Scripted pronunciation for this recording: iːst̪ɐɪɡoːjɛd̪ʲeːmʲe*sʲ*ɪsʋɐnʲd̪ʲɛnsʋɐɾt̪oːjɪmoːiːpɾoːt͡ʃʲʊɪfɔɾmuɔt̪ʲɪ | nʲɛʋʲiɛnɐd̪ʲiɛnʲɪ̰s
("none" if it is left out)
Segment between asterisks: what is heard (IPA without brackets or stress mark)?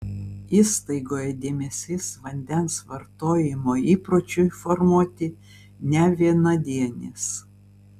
sʲ